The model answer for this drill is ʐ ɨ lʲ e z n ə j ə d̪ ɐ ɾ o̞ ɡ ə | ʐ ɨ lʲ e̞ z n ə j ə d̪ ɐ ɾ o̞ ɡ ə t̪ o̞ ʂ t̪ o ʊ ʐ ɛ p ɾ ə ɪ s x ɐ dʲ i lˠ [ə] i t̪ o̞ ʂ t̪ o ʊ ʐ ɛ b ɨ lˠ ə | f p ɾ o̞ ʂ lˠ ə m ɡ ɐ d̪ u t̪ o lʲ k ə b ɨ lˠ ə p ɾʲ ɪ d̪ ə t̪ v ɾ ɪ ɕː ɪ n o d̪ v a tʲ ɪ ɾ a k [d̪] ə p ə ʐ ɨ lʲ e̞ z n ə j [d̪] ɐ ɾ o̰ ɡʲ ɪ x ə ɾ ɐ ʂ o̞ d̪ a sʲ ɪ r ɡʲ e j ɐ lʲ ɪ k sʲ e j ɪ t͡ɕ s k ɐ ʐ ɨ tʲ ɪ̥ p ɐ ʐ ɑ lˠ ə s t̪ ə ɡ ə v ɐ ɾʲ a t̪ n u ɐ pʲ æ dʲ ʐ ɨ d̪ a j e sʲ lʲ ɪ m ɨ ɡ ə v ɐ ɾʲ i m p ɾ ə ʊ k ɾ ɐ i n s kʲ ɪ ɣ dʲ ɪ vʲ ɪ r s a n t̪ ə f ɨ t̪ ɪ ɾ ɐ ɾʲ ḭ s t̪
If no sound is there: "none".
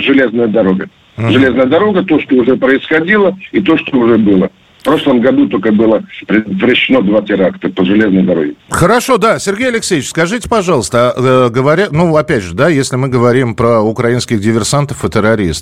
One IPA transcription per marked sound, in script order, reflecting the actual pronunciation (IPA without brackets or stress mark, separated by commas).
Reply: ə, t̪, d̪